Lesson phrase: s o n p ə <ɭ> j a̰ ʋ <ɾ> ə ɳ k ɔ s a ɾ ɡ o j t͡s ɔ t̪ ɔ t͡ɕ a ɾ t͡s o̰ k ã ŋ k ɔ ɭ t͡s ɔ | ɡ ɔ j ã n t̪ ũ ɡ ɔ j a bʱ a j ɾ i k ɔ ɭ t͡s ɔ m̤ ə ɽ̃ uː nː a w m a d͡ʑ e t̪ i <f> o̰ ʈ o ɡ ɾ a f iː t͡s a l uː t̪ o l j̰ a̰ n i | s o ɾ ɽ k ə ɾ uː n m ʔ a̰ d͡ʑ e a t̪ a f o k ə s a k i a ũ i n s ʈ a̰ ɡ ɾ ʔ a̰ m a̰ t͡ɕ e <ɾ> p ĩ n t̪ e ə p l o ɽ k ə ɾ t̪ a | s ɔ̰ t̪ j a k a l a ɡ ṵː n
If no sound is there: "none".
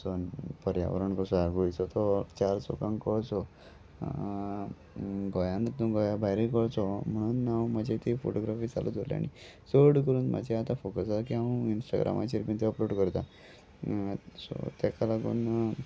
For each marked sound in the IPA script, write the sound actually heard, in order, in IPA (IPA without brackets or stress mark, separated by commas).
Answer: ɾ, ɾ, f, ɾ